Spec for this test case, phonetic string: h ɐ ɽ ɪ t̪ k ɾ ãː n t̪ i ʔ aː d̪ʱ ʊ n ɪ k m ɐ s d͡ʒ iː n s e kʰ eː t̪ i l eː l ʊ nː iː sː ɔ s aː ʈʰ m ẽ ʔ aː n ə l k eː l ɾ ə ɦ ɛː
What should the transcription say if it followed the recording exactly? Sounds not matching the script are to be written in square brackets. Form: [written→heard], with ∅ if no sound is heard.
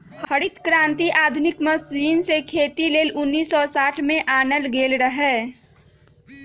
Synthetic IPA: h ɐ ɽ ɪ t̪ k ɾ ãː n t̪ i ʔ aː d̪ʱ ʊ n ɪ k m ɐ s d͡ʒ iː n s e kʰ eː t̪ i l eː l ʊ nː iː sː ɔ s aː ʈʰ m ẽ ʔ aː n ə l [k→ɡ] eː l ɾ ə ɦ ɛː

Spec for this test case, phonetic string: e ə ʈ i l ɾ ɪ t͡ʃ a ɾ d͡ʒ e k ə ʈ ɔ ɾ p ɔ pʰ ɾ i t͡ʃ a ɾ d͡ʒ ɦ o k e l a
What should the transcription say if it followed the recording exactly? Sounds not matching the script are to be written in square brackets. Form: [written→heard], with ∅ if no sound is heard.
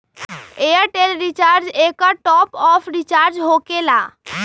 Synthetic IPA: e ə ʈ [i→e] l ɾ [ɪ→i] t͡ʃ a ɾ d͡ʒ e k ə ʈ ɔ [ɾ→∅] p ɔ pʰ ɾ i t͡ʃ a ɾ d͡ʒ ɦ o k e l a

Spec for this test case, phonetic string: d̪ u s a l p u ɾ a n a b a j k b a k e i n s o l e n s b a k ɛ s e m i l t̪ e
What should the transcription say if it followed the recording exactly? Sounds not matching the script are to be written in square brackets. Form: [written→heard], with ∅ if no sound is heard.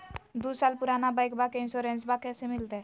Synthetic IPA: d̪ u s a l p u ɾ a n a b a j k b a k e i n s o [l→ɾ] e n s b a k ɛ s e m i l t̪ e

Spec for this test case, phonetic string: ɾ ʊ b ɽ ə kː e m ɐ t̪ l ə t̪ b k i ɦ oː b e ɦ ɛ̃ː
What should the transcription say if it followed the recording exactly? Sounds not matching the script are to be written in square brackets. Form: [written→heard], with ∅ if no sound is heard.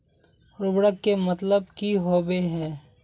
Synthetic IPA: ɾ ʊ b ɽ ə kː e m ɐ t̪ l ə [t̪→∅] b k i ɦ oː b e ɦ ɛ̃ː

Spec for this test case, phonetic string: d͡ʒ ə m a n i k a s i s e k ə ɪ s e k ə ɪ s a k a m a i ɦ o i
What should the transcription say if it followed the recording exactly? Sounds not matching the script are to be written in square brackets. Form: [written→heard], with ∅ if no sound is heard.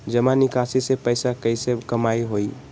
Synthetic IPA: d͡ʒ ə m a n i k a s i s e [k→p] ə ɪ s [e→a] k ə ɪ s [a→e] k [a→ə] m a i ɦ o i

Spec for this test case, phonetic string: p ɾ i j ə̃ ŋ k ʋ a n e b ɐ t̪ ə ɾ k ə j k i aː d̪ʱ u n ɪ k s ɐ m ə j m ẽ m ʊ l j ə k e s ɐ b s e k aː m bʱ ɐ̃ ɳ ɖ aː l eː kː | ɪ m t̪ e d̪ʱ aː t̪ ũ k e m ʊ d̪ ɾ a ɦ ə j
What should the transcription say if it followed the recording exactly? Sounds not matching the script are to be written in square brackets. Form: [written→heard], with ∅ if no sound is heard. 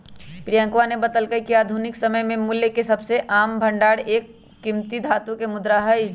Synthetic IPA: p ɾ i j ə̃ ŋ k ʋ a n e b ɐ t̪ ə [ɾ→l] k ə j k i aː d̪ʱ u n ɪ k s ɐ m ə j m ẽ m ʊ l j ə k e s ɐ b s e [k→ʔ] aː m bʱ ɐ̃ ɳ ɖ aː [l→ɽ] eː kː | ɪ m t̪ [e→i] d̪ʱ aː t̪ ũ k e m ʊ d̪ ɾ a ɦ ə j

